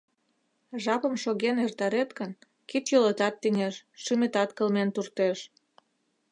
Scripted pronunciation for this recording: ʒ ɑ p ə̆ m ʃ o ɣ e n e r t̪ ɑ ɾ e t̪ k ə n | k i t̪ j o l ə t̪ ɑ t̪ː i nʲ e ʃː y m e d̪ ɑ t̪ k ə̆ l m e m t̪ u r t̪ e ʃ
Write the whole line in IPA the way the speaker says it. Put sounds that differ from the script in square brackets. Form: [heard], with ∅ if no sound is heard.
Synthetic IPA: ʒ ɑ p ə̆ m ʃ o ɣ e n e r t̪ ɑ ɾ e t̪ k ə n | k i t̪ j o l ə t̪ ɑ t̪ː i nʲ e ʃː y m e [t̪] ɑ t̪ k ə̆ l m e [n] t̪ u r t̪ e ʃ

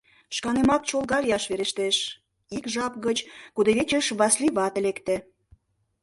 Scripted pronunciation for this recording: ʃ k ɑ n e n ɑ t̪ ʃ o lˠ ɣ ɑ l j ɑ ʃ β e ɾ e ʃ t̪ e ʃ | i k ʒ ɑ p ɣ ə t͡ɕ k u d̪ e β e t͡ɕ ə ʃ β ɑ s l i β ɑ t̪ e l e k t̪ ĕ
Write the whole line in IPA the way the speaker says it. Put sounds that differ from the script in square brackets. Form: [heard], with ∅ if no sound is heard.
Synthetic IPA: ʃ k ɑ n e [m] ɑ t̪ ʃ o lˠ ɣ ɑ l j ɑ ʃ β e ɾ e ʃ t̪ e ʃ | i k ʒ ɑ p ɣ ə t͡ɕ k u d̪ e β e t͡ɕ ə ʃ β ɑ s l i β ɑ t̪ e l e k t̪ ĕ

